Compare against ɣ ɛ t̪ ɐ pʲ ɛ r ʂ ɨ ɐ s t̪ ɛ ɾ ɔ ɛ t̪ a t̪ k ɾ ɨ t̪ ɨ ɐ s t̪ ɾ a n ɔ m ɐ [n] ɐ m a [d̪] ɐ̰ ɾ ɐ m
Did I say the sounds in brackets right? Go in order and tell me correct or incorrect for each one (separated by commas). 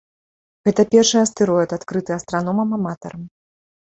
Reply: incorrect, incorrect